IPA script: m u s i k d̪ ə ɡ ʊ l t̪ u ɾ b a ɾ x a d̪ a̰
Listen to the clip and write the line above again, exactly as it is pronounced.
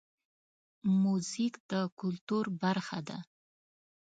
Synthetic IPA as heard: m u z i k d̪ ə k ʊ l t̪ u ɾ b a ɾ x a d̪ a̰